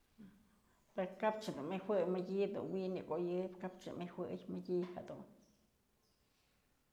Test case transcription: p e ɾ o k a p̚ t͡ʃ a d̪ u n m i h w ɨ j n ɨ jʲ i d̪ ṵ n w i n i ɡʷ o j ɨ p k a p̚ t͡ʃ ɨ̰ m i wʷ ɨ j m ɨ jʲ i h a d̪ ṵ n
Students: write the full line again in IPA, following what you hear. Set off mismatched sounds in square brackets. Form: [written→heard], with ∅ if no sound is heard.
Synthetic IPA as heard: p e ɾ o k a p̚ t͡ʃ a d̪ u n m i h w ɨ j [n→m] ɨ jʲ i d̪ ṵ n w i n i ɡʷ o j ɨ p k a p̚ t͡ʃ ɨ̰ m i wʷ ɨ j m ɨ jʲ i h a d̪ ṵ n